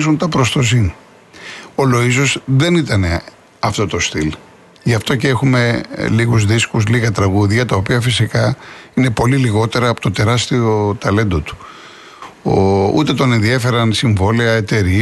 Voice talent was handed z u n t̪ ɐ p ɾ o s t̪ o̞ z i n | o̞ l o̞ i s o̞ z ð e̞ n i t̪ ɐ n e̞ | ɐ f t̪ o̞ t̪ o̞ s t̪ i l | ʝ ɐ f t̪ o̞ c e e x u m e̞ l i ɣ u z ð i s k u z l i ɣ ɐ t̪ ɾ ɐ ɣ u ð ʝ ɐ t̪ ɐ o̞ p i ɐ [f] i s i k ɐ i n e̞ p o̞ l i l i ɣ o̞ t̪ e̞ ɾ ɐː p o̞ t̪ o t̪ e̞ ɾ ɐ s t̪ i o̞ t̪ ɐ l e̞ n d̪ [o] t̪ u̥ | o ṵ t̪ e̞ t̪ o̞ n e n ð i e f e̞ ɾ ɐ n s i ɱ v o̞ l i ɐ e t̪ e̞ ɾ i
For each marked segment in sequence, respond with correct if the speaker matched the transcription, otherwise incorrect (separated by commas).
correct, correct